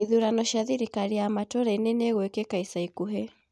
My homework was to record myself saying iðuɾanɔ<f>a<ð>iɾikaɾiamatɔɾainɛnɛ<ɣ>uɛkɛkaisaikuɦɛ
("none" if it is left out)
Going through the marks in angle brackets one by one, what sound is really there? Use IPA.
ʃ, ð, ɣ

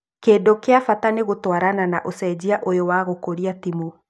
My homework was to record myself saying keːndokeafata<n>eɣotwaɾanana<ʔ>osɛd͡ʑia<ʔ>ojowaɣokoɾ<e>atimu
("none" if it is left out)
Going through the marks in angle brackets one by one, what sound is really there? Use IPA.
n, ʔ, ʔ, i

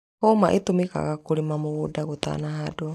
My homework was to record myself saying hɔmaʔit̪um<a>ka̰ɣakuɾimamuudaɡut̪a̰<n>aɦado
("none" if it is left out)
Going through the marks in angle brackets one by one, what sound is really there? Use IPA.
i, n

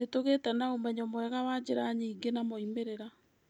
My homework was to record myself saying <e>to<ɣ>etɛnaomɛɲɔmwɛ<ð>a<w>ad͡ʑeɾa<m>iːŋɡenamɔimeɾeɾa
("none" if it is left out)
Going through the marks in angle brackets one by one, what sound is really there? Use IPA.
e, ɣ, ɣ, w, ɲ

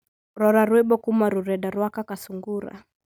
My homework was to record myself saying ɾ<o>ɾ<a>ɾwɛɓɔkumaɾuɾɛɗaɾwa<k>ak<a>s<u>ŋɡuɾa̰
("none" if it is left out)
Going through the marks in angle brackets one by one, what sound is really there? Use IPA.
ɔ, a, k, a, u

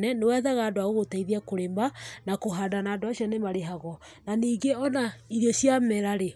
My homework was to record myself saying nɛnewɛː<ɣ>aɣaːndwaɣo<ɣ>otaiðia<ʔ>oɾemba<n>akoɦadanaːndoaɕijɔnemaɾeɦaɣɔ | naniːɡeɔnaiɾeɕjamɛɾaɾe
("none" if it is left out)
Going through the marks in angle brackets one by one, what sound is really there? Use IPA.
ð, ɣ, k, n

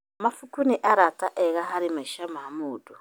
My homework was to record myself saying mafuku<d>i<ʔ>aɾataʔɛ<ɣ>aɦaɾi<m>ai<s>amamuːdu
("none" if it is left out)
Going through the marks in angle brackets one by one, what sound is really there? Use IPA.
n, ʔ, ɣ, m, ʃ

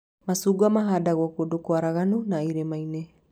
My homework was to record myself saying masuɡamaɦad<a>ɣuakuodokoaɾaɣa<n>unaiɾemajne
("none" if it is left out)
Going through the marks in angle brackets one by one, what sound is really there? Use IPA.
a, n

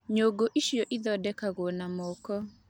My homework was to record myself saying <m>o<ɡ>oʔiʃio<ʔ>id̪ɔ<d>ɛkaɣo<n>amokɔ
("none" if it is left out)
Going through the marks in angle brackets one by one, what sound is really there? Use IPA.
ɲ, ɡ, ʔ, d, n

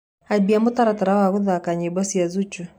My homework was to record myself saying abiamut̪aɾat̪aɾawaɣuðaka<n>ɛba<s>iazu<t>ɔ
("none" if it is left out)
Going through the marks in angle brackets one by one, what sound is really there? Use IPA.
ɲ, s, t͡ʃ

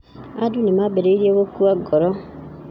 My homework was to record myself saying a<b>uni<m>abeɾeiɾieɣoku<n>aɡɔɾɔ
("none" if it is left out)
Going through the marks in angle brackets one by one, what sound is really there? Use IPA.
d, m, none

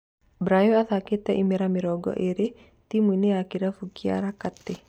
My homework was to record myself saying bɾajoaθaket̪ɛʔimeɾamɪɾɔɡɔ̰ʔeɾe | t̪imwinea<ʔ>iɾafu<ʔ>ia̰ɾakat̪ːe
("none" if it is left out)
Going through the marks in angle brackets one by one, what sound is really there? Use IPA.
k, k

